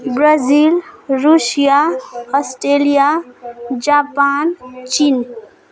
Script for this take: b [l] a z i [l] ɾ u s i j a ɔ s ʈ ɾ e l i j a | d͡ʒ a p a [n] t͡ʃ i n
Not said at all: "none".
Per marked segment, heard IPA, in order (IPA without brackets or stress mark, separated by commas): ɾ, l, n